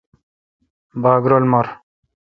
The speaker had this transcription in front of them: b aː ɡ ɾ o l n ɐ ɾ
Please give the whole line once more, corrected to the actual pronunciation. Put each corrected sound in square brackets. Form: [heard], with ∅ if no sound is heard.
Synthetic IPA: b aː ɡ ɾ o l [m] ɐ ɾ